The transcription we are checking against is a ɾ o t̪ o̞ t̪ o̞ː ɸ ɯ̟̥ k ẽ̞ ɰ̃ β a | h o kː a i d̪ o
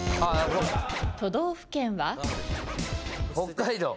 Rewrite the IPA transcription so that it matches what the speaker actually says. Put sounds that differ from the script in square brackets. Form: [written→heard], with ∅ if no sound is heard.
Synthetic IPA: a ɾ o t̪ o̞ [t̪→d̪] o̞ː ɸ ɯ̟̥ k ẽ̞ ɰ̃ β a | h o kː a i d̪ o